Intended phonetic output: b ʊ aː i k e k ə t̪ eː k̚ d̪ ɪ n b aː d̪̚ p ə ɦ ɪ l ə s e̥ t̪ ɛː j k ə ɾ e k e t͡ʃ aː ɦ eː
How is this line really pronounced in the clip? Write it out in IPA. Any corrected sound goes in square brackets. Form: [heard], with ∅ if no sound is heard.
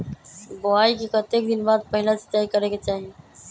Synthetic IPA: b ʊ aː i k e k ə t̪ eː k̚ d̪ ɪ n b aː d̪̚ p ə ɦ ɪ l [a] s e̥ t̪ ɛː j k ə ɾ e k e t͡ʃ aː ɦ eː